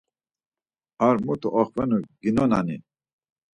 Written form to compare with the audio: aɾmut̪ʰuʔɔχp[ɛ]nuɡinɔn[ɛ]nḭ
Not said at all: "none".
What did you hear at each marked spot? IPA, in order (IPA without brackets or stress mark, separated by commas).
ɛ, a